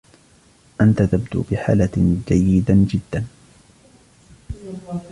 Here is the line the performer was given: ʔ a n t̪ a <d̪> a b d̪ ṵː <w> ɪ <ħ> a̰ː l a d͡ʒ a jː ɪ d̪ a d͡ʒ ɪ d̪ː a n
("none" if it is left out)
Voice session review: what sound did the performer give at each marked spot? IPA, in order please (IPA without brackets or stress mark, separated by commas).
t̪, b, ħ